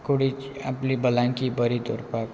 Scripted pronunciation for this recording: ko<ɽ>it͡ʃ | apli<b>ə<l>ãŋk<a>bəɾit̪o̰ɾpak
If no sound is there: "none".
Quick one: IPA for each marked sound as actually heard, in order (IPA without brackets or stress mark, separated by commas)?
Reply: ɽ, b, l, i